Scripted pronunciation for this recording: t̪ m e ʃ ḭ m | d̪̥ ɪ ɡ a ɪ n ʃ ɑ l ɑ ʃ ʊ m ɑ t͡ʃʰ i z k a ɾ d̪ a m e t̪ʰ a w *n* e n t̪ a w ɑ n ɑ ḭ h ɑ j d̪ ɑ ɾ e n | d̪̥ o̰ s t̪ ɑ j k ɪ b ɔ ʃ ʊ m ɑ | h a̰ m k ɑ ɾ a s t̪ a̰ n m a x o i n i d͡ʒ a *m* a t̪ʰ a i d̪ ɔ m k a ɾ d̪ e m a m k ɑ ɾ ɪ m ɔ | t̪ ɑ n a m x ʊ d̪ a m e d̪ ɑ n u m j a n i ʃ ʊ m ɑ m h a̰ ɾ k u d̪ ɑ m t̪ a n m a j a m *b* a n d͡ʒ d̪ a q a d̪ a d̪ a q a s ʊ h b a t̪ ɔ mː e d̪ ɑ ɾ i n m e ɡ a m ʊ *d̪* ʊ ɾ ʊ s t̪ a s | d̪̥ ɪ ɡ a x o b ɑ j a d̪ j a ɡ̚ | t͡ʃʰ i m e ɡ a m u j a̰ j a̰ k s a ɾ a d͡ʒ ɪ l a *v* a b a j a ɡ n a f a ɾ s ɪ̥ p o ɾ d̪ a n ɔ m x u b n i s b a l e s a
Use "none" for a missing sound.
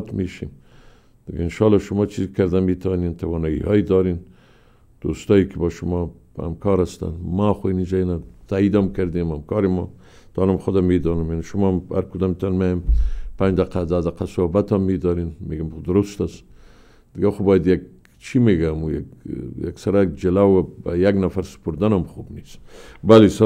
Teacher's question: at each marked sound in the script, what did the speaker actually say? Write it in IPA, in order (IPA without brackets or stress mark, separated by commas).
n, n, p, d̪, w